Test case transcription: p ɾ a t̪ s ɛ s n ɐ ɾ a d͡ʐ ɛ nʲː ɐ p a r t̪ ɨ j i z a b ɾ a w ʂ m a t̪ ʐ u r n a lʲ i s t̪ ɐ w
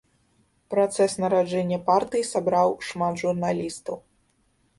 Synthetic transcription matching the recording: p ɾ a t̪ s ɛ s n ɐ ɾ a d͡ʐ ɛ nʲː ɐ p a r t̪ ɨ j i s a b ɾ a w ʂ m a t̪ ʐ u r n a lʲ i s t̪ ɐ w